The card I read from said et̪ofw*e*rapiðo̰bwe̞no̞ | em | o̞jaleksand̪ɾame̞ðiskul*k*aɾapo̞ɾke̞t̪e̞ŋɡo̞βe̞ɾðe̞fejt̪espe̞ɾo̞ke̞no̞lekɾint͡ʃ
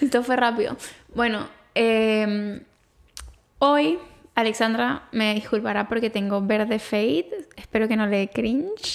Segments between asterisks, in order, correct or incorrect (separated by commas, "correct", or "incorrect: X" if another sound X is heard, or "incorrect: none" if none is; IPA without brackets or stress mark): correct, incorrect: p